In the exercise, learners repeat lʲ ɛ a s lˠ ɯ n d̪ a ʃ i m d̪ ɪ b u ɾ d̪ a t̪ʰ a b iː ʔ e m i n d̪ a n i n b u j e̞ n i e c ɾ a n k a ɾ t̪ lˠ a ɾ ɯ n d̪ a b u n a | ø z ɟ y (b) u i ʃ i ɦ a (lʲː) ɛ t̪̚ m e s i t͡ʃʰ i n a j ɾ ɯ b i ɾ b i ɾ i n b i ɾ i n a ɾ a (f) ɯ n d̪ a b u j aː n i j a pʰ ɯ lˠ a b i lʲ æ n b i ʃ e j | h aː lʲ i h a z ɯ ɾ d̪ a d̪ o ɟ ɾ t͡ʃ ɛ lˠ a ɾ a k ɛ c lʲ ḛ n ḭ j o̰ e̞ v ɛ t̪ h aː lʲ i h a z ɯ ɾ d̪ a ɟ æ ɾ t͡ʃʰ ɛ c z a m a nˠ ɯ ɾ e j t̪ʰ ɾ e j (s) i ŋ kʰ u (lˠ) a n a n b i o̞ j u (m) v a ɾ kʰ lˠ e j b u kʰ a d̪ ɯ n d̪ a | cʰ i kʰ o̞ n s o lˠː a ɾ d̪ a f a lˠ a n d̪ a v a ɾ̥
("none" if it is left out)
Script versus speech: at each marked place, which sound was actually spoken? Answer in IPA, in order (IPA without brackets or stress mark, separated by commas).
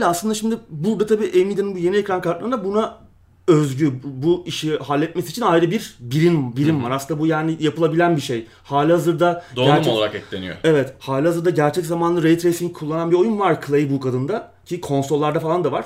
b, lʲː, s, s, lˠː, n